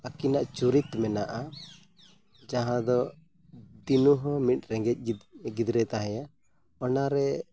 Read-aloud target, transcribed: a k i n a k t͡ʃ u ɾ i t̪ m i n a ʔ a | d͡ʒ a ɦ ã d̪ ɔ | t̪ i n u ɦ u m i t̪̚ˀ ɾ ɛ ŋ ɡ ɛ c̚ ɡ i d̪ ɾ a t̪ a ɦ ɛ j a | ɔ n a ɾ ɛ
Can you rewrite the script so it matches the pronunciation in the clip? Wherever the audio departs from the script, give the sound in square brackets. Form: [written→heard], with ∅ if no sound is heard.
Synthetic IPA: a k i n a [k→ʔ] t͡ʃ u ɾ i t̪ m [i→ɛ] n a ʔ a | d͡ʒ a ɦ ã d̪ ɔ | [t̪→d̪] i n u ɦ [u→ɔ] m i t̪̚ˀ ɾ ɛ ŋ ɡ ɛ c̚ ɡ i d̪ ɾ [a→ɛ] t̪ a ɦ ɛ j a | ɔ n a ɾ ɛ